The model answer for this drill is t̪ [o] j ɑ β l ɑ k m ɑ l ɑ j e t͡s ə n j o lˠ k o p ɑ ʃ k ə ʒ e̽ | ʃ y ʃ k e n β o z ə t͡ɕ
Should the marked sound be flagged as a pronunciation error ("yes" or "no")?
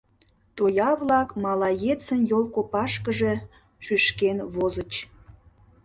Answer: no